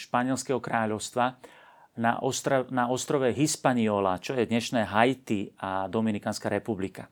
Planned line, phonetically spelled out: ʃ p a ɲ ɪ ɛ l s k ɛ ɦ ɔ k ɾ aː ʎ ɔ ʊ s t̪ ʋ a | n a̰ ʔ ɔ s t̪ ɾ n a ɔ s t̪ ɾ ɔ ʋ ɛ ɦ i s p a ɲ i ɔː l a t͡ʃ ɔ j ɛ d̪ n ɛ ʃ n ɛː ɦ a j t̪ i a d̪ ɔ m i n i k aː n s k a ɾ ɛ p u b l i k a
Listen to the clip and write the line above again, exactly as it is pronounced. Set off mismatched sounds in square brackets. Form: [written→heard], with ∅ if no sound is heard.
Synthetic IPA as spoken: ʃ p a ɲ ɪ ɛ l s k ɛ ɦ ɔ k ɾ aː ʎ ɔ ʊ s t̪ ʋ a | n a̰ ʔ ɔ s t̪ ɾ n a ɔ s t̪ ɾ ɔ ʋ ɛ ɦ i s p a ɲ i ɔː l a t͡ʃ ɔ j ɛ d̪ [n→ɲ] ɛ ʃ n ɛː ɦ a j t̪ i a d̪ ɔ m i n i k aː n s k a ɾ ɛ p u b l i k a